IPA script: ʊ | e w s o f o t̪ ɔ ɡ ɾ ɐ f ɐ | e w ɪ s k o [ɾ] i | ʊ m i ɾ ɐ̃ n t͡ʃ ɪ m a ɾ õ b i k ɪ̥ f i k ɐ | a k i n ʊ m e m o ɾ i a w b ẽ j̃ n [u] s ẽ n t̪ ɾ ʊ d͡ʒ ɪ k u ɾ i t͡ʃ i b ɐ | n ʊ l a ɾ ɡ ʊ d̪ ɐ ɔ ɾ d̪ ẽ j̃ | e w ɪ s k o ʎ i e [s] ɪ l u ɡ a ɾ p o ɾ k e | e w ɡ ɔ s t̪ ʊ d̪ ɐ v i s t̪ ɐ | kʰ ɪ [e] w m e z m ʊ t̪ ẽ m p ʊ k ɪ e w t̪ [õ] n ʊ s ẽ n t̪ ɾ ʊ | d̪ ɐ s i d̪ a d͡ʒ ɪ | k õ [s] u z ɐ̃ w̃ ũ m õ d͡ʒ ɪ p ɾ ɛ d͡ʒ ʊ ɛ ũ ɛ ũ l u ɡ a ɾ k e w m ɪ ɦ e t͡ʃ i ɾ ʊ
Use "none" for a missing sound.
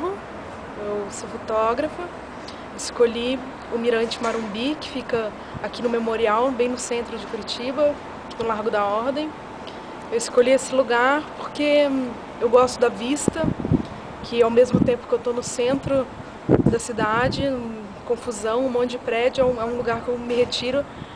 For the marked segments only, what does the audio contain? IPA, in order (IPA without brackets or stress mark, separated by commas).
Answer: ʎ, ʊ, s, a, o, f